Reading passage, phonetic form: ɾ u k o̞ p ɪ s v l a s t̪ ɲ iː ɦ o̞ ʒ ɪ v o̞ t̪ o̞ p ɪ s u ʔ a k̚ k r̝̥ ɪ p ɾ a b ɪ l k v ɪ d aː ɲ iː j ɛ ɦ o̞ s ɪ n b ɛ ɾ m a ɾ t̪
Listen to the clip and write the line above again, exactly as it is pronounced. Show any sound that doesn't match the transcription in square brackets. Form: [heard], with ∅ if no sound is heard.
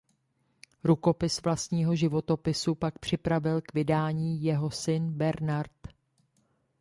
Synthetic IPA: ɾ u k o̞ p ɪ s v l a s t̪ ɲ iː ɦ o̞ ʒ ɪ v o̞ t̪ o̞ p ɪ s u [p] a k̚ [p] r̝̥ ɪ p ɾ a [v] ɪ l k v ɪ d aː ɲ iː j ɛ ɦ o̞ s ɪ n b ɛ ɾ [n] a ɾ t̪